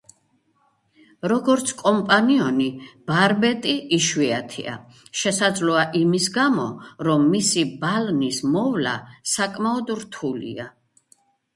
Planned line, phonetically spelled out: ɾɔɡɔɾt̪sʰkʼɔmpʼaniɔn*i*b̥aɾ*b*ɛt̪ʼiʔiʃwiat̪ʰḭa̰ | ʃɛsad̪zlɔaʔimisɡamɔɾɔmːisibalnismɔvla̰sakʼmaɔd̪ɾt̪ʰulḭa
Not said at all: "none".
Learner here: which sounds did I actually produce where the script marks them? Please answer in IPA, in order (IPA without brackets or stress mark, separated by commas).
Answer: i, b